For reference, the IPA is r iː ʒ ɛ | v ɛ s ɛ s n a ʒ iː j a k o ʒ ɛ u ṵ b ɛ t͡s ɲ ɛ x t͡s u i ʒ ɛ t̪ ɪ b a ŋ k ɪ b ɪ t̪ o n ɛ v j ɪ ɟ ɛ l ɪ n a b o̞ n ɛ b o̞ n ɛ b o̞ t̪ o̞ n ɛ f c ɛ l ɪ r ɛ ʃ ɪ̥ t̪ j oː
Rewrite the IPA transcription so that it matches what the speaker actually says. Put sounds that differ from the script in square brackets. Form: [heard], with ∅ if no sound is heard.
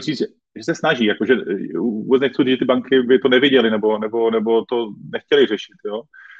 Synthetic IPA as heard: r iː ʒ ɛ | [ʒ] ɛ s ɛ s n a ʒ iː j a k o ʒ ɛ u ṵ b ɛ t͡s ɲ ɛ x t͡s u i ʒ ɛ t̪ ɪ b a ŋ k ɪ b ɪ t̪ o n ɛ v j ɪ ɟ ɛ l ɪ n [ɛ] b o̞ n ɛ b o̞ n ɛ b o̞ t̪ o̞ n ɛ [x] c ɛ l ɪ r ɛ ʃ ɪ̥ t̪ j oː